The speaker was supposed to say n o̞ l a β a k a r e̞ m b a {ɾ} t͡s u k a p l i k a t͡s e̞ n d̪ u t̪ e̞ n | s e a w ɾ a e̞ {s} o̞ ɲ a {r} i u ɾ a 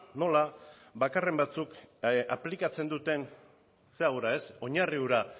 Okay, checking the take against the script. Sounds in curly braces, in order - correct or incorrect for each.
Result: incorrect: none, correct, correct

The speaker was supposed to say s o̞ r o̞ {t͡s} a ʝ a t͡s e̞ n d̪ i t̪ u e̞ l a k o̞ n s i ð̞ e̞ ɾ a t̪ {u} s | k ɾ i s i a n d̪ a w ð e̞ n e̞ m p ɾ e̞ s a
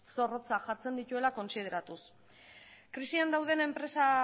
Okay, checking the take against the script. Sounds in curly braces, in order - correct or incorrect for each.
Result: correct, correct

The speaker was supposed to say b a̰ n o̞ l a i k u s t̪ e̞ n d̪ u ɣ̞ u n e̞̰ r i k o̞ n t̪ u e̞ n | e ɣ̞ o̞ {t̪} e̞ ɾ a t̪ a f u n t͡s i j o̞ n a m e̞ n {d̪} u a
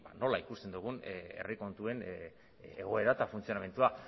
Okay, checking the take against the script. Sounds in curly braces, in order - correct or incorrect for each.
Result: incorrect: none, incorrect: t̪

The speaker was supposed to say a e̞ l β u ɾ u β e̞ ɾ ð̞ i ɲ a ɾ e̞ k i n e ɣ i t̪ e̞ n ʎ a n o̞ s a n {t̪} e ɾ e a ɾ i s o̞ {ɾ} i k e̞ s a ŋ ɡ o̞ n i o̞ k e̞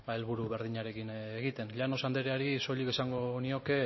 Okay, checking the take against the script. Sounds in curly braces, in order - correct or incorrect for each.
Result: incorrect: d̪, incorrect: ʎ

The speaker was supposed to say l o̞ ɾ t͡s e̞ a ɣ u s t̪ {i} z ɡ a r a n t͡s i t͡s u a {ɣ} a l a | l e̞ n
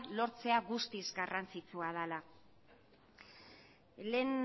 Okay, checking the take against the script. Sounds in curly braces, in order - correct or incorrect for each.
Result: correct, incorrect: ð

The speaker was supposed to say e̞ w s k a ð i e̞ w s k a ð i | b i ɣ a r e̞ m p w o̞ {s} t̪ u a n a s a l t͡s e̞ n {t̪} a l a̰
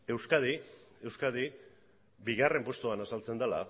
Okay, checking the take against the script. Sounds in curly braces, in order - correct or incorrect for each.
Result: correct, incorrect: d̪

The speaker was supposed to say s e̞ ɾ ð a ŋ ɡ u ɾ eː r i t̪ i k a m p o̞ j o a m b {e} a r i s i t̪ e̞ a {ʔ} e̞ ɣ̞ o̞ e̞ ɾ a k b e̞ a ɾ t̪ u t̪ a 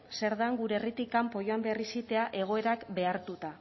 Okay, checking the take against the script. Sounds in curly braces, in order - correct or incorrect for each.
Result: correct, correct

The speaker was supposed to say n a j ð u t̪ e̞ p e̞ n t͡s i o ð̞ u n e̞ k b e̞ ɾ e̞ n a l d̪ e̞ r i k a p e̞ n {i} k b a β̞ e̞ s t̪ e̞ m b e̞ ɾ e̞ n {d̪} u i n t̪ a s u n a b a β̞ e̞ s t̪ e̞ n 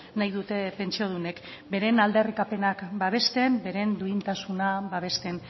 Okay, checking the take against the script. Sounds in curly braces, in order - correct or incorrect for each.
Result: incorrect: a, correct

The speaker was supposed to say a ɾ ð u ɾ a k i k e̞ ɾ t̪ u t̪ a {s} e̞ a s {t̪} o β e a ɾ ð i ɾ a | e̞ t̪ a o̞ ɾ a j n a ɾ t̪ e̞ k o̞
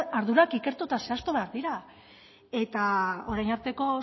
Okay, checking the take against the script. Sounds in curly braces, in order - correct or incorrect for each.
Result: correct, correct

